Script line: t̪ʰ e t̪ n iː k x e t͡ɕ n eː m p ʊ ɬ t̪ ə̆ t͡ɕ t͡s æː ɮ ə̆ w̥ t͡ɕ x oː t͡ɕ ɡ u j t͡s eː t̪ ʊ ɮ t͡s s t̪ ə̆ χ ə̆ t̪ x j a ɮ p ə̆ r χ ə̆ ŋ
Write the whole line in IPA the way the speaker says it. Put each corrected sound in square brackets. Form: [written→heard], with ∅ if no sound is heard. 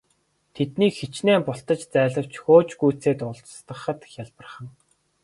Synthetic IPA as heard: t̪ʰ e t̪ n iː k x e t͡ɕ n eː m p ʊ ɬ t̪ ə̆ t͡ɕ t͡s æː ɮ ə̆ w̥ t͡ɕ x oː t͡ɕ ɡ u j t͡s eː t̪ ʊ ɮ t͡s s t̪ ə̆ χ ə̆ t̪ x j a ɮ p ə̆ r χ ə̆ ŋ